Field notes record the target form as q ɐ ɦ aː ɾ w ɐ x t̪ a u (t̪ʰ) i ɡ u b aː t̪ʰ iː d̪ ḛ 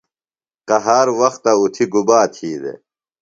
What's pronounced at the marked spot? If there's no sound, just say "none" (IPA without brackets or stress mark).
t̪ʰ